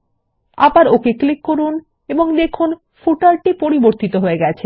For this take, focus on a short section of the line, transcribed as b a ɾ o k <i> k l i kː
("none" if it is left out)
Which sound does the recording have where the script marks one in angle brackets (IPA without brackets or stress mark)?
e